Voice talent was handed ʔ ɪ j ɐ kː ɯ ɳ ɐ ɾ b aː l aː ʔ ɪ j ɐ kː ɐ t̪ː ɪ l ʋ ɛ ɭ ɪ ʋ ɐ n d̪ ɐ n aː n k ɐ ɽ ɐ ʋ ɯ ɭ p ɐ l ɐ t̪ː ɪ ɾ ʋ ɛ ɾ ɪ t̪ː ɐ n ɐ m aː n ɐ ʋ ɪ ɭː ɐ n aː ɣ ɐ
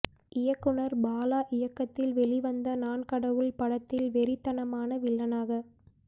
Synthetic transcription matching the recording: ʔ ɪ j ɐ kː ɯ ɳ ɐ ɾ b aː l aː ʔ ɪ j ɐ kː ɐ t̪ː ɪ l ʋ ɛ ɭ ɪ ʋ ɐ n d̪ ɐ n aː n k ɐ ɽ ɐ ʋ ɯ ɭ p ɐ ɽ ɐ t̪ː ɪ l ʋ ɛ ɾ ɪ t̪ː ɐ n ɐ m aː n ɐ ʋ ɪ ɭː ɐ n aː ɣ ɐ

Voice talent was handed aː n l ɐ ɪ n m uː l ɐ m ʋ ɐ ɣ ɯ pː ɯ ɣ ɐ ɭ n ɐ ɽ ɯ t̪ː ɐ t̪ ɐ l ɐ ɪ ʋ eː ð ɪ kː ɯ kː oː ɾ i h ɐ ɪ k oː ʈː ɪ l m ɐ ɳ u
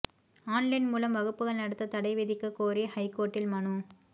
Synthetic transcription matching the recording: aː n l ɐ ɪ n m uː l ɐ m ʋ ɐ ɣ ɯ pː ɯ ɣ ɐ ɭ n ɐ ɽ ɯ t̪ː ɐ t̪ ɐ ɽ ɐ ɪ ʋ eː ð ɪ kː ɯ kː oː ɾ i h ɐ ɪ k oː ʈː ɪ l m ɐ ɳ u

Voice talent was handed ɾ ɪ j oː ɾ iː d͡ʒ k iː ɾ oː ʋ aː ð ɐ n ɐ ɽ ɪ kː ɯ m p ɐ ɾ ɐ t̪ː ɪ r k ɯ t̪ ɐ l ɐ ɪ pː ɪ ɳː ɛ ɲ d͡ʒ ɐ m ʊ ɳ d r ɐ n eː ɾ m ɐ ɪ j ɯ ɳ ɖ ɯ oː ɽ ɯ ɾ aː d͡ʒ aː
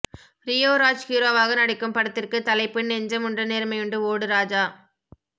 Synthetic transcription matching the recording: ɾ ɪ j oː ɾ aː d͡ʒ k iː ɾ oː ʋ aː ɣ ɐ n ɐ ɽ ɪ kː ɯ m p ɐ ɽ ɐ t̪ː ɪ r k ɯ t̪ ɐ l ɐ ɪ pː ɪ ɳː ɛ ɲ d͡ʒ ɐ m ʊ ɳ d r ɐ n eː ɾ m ɐ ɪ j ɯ ɳ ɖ ɯ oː ɽ ɯ ɾ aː d͡ʒ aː

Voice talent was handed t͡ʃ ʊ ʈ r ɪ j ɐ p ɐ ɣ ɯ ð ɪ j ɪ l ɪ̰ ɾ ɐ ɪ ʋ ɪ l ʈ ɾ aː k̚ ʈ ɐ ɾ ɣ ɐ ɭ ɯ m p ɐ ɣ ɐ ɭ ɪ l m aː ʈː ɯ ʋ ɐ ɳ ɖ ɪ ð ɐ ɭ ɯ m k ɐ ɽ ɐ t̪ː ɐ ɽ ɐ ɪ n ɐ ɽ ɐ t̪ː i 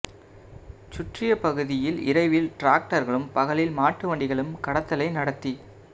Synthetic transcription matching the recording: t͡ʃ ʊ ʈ r ɪ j ɐ p ɐ ɣ ɯ ð ɪ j ɪ l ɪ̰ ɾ ɐ ɪ ʋ ɪ l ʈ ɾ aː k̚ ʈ ɐ ɾ ɣ ɐ ɭ ɯ m p ɐ ɣ ɐ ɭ ɪ l m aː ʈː ɯ ʋ ɐ ɳ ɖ ɪ ɣ ɐ ɭ ɯ m k ɐ ɽ ɐ t̪ː ɐ l ɐ ɪ n ɐ ɽ ɐ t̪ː i

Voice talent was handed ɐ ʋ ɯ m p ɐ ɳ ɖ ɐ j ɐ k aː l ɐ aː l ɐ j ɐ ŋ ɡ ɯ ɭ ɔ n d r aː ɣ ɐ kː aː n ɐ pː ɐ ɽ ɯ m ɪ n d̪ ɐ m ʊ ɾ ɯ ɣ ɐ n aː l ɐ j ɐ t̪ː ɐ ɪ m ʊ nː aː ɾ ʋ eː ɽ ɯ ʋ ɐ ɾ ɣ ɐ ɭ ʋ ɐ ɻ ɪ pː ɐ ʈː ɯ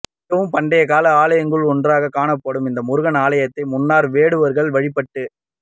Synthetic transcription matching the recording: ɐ ʋ ɯ m p ɐ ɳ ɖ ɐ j ɐ k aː l ɐ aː l ɐ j ɐ ŋ ɡ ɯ ɭ ɔ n d r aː ɣ ɐ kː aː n ɐ pː ɐ ɽ ɯ m ɪ n d̪ ɐ m ʊ ɾ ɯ ɣ ɐ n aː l ɐ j ɐ t̪ː ɐ ɪ m ʊ nː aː ɾ ʋ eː ɽ ɯ ʋ ɐ ɾ ɣ ɐ ɭ ʋ ɐ ɻ ɪ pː ɐ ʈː ɯ

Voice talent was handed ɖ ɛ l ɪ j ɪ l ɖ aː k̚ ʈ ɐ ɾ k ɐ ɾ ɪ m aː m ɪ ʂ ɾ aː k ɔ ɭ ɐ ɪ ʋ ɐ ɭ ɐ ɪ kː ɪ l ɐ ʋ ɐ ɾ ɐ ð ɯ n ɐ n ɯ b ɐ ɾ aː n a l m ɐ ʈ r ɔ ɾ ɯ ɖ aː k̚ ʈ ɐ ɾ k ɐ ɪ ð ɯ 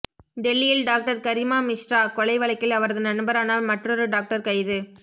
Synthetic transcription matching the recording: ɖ ɛ lː ɪ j ɪ l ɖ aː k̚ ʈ ɐ ɾ k ɐ ɾ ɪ m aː m ɪ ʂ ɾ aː k ɔ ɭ ɐ ɪ ʋ ɐ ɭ ɐ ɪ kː ɪ l ɐ ʋ ɐ ɾ ɐ ð ɯ n ɐ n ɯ b ɐ ɾ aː n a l m ɐ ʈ r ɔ ɾ ɯ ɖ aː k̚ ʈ ɐ ɾ k ɐ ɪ ð ɯ

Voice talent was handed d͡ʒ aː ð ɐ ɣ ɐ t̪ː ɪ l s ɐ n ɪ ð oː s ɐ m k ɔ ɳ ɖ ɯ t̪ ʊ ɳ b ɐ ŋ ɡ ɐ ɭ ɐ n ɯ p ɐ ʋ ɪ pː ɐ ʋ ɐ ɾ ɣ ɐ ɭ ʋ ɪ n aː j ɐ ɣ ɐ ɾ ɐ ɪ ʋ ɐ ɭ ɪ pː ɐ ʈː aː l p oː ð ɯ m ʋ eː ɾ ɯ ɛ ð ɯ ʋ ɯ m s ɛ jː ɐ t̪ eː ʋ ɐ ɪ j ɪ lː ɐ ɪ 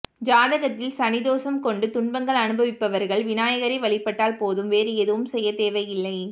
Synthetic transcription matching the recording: d͡ʒ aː ð ɐ ɣ ɐ t̪ː ɪ l s ɐ n ɪ ð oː s ɐ m k ɔ ɳ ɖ ɯ t̪ ʊ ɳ b ɐ ŋ ɡ ɐ ɭ ɐ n ɯ b ɐ ʋ ɪ pː ɐ ʋ ɐ ɾ ɣ ɐ ɭ ʋ ɪ n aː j ɐ ɣ ɐ ɾ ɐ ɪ ʋ ɐ ɭ ɪ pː ɐ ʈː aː l p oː ð ɯ m ʋ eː ɾ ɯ ɛ ð ɯ ʋ ɯ m s ɛ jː ɐ t̪ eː ʋ ɐ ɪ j ɪ lː ɐ ɪ

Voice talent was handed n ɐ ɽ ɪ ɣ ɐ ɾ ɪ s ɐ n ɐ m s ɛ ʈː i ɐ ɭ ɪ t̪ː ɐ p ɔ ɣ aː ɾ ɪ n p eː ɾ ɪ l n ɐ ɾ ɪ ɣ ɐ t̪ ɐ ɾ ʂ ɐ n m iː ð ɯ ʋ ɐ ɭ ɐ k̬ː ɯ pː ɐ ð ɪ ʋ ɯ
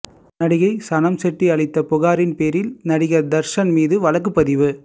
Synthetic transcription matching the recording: n ɐ ɽ ɪ ɣ ɐ ɪ s ɐ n ɐ m s ɛ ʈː i ɐ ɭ ɪ t̪ː ɐ p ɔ ɣ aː ɾ ɪ n p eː ɾ ɪ l n ɐ ɽ ɪ ɣ ɐ d̪ ɐ ɾ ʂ ɐ n m iː ð ɯ ʋ ɐ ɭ ɐ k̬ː ɯ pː ɐ ð ɪ ʋ ɯ

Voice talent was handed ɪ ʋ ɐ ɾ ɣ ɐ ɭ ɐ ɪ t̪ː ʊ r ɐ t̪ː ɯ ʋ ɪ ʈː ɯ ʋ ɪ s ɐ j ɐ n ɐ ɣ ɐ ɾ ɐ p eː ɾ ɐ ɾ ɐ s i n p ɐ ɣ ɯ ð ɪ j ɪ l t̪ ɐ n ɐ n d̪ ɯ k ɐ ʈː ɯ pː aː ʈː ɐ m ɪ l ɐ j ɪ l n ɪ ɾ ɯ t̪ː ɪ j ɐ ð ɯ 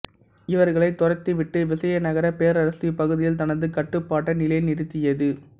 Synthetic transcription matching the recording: ɪ ʋ ɐ ɾ ɣ ɐ ɭ ɐ ɪ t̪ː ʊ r ɐ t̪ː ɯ ʋ ɪ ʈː ɯ ʋ ɪ s ɐ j ɐ n ɐ ɣ ɐ ɾ ɐ p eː ɾ ɐ ɾ ɐ s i p ɐ ɣ ɯ ð ɪ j ɪ l t̪ ɐ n ɐ n d̪ ɯ k ɐ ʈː ɯ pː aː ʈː ɐ n ɪ l ɐ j ɪ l n ɪ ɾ ɯ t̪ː ɪ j ɐ ð ɯ

